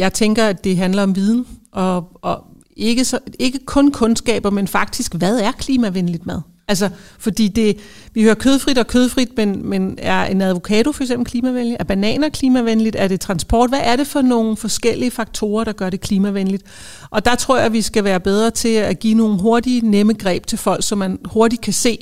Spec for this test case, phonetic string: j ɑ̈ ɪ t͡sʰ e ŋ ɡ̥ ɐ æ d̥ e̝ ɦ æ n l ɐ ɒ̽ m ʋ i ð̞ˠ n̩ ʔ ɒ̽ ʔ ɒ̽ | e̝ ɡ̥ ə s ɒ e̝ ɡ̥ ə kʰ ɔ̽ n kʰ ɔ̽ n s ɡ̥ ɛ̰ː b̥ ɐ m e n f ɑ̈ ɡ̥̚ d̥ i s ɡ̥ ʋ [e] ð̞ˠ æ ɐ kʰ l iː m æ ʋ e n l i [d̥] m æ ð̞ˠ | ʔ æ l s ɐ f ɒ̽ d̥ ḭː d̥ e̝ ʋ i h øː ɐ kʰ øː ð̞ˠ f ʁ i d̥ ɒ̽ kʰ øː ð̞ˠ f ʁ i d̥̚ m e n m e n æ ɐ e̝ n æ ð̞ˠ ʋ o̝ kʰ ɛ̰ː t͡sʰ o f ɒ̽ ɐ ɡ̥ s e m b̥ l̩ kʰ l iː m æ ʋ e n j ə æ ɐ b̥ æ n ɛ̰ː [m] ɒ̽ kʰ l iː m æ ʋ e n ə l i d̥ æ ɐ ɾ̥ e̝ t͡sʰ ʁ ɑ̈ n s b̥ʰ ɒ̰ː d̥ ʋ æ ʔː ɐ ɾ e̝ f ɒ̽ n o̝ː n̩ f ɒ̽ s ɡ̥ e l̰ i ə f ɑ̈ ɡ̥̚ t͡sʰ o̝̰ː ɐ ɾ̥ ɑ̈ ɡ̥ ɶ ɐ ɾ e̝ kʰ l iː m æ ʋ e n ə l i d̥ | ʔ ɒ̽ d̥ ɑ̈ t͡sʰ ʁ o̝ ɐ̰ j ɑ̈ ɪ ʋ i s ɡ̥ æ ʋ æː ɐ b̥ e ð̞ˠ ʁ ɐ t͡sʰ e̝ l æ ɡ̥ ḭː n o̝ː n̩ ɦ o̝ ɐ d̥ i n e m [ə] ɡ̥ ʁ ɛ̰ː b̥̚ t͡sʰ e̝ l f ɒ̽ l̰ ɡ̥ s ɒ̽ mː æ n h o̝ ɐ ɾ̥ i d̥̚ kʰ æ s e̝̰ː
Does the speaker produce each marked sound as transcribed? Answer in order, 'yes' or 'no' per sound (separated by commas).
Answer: no, yes, no, yes